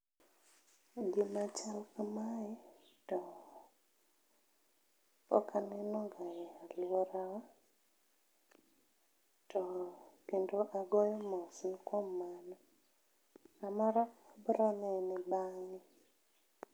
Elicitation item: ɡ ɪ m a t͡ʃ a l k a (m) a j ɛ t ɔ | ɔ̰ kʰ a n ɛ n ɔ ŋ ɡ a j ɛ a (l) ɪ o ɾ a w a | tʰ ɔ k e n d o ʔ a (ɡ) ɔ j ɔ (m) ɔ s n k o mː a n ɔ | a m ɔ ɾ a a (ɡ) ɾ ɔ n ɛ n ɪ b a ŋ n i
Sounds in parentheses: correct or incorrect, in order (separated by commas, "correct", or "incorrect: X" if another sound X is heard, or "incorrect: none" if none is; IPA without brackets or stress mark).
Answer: correct, correct, correct, correct, incorrect: b